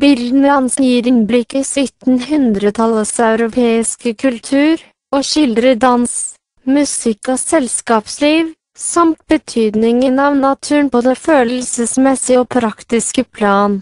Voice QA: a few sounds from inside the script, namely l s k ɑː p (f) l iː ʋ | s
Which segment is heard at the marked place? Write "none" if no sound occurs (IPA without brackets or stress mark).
s